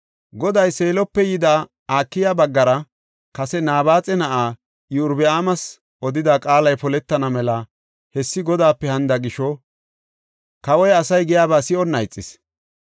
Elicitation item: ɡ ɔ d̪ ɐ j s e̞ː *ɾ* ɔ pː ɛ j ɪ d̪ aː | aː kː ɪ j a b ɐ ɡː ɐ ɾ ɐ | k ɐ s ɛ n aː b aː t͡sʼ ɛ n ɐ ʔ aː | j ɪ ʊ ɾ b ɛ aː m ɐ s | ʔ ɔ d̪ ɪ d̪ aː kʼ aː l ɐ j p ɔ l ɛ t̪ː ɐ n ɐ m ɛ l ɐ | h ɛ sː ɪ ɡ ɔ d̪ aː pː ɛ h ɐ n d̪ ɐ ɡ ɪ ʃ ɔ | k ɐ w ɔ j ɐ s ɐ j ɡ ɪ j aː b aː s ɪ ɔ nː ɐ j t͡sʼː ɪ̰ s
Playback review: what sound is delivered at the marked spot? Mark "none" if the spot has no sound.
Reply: l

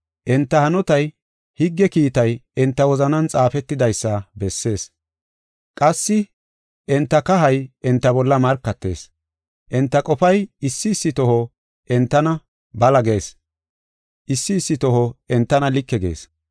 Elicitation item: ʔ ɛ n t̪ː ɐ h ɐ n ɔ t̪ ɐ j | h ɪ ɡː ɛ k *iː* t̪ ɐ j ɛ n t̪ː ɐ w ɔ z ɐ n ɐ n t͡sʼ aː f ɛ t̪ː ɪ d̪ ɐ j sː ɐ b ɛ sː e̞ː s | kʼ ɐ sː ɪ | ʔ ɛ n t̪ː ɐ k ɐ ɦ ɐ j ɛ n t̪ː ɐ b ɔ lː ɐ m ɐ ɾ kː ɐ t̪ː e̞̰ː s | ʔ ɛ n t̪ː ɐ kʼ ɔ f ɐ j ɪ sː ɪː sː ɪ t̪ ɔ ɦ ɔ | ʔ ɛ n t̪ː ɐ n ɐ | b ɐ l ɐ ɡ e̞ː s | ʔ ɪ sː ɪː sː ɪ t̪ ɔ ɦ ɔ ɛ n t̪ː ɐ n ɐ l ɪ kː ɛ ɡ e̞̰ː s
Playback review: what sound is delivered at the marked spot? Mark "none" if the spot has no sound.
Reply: iː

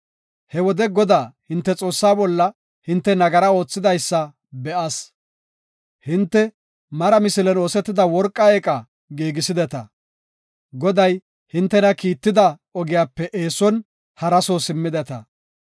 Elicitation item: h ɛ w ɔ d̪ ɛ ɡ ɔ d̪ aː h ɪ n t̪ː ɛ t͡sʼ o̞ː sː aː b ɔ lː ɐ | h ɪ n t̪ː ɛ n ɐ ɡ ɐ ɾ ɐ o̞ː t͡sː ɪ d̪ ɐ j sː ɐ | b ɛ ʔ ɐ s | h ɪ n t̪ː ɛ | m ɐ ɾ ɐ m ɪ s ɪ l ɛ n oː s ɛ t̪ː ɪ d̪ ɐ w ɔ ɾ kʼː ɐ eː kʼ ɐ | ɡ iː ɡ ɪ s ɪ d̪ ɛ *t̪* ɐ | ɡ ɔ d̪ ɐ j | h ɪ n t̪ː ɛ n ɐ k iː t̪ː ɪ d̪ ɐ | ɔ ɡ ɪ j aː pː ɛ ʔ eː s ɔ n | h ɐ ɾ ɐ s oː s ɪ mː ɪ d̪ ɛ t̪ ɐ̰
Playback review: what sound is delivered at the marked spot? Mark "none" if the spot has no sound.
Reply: t̪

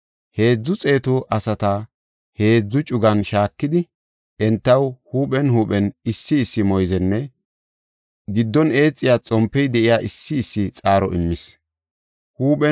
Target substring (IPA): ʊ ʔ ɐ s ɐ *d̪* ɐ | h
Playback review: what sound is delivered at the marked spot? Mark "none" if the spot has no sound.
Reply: t̪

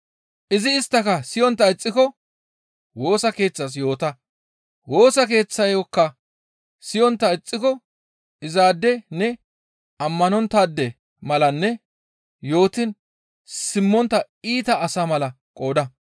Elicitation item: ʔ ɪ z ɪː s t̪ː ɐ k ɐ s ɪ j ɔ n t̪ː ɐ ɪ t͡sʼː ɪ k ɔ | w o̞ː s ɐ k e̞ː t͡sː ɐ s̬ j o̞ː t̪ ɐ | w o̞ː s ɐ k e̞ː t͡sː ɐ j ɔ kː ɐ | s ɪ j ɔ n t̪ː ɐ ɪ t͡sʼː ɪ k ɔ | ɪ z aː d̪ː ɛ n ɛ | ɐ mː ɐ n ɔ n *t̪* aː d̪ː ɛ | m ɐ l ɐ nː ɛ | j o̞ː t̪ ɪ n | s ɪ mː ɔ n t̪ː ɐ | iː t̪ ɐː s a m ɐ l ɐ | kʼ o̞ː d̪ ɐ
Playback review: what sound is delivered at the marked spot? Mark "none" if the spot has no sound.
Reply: t̪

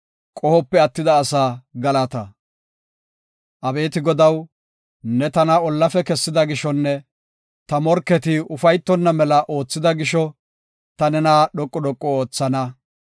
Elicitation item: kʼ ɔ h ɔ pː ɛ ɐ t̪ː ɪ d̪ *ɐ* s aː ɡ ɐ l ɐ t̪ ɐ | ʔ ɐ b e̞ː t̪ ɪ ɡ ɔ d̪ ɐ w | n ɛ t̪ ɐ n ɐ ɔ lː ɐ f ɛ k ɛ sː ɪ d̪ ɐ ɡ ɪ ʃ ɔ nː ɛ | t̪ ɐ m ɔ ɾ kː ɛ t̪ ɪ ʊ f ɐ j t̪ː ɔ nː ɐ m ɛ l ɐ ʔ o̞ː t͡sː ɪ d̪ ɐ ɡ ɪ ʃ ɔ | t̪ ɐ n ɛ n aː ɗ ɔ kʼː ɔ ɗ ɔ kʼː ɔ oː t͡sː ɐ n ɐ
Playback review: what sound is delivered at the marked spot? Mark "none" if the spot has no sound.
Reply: ɐː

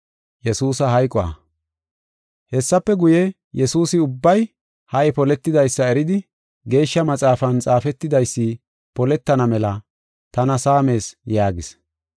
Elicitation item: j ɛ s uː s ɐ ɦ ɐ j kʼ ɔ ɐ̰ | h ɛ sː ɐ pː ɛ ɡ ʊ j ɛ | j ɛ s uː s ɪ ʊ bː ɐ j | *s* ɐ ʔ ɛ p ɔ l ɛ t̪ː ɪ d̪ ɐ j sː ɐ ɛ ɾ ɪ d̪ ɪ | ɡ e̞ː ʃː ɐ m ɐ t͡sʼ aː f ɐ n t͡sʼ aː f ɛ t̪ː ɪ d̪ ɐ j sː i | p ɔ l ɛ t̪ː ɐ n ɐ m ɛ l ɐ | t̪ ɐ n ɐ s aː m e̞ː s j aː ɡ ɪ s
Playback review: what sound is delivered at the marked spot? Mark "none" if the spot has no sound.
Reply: h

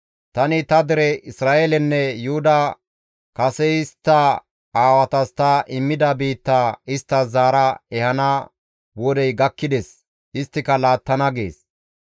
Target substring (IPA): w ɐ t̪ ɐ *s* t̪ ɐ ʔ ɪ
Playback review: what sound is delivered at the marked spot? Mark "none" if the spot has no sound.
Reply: s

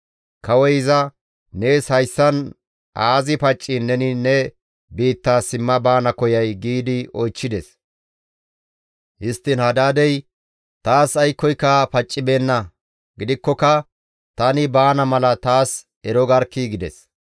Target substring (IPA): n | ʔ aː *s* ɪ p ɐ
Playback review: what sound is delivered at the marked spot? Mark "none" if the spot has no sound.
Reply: z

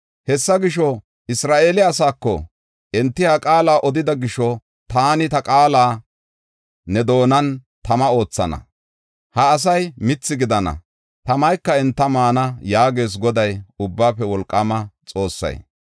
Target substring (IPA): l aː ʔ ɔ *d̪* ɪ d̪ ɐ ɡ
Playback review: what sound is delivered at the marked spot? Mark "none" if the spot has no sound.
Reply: d̪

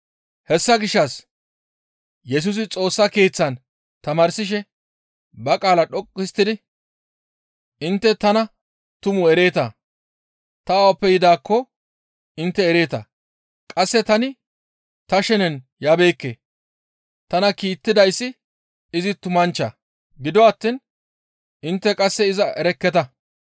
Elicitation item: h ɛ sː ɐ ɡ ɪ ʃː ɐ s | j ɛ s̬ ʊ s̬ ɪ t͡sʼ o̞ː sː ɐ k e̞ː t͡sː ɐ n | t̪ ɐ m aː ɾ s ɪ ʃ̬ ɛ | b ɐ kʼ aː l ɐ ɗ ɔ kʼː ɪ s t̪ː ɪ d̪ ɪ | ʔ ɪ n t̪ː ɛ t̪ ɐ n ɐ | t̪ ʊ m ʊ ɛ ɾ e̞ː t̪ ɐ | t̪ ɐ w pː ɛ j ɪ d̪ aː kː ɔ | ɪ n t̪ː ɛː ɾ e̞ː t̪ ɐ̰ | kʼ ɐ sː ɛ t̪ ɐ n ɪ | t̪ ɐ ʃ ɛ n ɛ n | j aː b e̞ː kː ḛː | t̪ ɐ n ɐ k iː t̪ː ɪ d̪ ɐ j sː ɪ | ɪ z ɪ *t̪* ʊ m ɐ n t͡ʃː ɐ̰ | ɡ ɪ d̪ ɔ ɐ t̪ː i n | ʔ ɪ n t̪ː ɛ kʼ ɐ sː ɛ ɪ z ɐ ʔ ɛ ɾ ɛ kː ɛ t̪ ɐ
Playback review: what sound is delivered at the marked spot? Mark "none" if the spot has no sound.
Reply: t̪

